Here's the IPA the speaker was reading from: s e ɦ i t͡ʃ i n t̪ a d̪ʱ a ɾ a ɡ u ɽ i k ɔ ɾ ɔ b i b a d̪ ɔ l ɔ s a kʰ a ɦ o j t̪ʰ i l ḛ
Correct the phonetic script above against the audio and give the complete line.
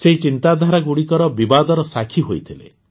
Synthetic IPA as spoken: s e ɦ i t͡ʃ i n t̪ a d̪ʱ a ɾ a ɡ u ɽ i k ɔ ɾ ɔ b i b a d̪ ɔ ɾ ɔ s a kʰ i ɦ o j t̪ʰ i l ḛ